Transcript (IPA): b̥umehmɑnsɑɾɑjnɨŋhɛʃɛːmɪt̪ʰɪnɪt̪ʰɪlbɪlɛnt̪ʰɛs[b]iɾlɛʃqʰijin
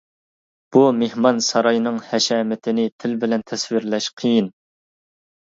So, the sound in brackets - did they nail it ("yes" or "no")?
no